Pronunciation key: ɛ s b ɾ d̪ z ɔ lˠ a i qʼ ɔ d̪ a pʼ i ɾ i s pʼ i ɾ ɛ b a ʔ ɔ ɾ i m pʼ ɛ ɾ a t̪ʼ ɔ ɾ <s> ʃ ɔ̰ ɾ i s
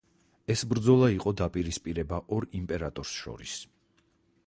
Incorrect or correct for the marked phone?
correct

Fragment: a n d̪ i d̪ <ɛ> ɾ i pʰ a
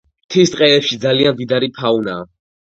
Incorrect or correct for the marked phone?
incorrect: a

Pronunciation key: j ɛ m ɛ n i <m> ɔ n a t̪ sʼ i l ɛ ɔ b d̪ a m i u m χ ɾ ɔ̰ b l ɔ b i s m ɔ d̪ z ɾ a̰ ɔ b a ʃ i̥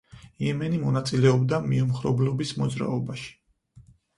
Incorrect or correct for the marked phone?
correct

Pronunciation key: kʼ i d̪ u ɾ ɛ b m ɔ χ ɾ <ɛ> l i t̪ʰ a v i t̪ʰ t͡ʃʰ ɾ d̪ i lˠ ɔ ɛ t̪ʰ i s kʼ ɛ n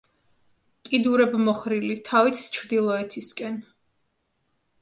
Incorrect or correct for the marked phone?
incorrect: i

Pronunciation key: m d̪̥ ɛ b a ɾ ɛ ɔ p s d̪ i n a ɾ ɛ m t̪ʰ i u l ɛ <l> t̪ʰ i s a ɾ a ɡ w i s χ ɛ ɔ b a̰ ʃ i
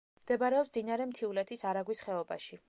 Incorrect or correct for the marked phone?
incorrect: none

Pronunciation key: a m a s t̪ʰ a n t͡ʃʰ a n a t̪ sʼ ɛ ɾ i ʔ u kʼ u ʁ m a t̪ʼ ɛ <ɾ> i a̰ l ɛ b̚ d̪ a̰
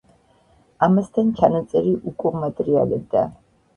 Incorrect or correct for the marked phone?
correct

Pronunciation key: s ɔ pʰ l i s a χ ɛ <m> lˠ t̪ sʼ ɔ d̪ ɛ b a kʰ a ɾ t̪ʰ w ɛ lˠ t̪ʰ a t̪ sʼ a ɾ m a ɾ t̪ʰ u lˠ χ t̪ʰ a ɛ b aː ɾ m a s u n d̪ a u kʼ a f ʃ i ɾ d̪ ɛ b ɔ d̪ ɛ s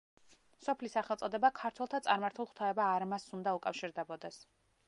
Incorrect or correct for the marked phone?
incorrect: none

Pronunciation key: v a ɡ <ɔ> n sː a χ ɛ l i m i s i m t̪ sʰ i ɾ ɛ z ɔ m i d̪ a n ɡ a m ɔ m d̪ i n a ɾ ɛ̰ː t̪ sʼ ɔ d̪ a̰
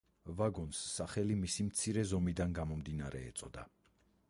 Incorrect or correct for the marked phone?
correct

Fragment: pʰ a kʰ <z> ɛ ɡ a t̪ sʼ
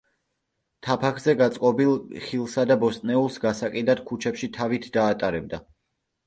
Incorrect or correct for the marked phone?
correct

